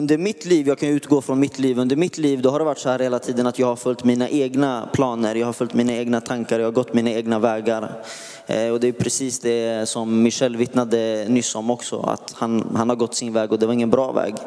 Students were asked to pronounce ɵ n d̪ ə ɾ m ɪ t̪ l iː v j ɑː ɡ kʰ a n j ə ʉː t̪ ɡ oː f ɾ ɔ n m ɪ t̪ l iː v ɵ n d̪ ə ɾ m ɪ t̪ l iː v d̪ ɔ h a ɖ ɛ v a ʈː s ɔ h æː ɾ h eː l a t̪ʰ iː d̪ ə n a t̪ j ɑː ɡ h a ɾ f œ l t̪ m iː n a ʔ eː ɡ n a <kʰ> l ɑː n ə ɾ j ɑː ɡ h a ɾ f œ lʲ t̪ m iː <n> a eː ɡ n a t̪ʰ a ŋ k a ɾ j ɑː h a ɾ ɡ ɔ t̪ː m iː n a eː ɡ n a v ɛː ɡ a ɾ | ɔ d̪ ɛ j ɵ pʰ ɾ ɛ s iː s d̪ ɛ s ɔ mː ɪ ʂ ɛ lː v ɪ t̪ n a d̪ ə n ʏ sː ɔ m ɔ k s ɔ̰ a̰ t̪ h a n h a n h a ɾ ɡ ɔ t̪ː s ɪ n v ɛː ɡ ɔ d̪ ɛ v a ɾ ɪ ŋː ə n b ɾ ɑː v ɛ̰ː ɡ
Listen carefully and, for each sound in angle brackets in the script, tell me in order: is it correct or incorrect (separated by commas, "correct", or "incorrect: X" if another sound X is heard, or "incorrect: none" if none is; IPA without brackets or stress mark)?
incorrect: pʰ, correct